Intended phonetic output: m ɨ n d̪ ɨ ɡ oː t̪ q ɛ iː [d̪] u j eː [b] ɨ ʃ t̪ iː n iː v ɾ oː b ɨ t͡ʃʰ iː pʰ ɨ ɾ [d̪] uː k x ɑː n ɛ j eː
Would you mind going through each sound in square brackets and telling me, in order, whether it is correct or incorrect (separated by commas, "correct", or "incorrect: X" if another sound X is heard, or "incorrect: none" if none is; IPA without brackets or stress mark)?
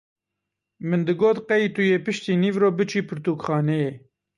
incorrect: t̪, incorrect: p, incorrect: t̪